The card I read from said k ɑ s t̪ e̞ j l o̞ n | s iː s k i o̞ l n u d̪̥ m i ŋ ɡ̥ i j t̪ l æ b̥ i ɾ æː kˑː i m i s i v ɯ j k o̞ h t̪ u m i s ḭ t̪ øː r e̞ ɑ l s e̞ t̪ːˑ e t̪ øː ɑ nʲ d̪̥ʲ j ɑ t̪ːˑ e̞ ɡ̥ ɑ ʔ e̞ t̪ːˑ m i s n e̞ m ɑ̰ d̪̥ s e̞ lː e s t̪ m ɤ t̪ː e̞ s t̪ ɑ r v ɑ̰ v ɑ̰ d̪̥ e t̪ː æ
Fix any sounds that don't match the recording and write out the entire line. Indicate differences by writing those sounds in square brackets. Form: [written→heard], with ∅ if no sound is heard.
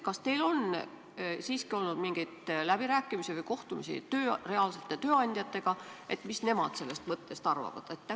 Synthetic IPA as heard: k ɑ s t̪ e̞ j l o̞ n | s iː s k i o̞ l n u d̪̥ m i ŋ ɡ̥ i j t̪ l æ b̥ i ɾ æː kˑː i m i s i v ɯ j k o̞ h t̪ u m i s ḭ t̪ øː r e̞ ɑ l s e̞ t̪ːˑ e t̪ øː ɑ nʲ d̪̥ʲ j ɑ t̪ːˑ e̞ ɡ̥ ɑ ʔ e̞ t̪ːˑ m i s n e̞ m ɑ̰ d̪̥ s e̞ lː e s t̪ m ɤ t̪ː e̞ s t̪ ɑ r v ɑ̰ v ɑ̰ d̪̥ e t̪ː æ